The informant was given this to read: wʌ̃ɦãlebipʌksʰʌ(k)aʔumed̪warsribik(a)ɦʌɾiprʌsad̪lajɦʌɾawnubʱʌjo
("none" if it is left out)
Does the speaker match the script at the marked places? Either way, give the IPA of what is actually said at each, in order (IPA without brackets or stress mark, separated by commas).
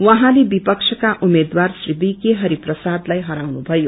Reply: k, e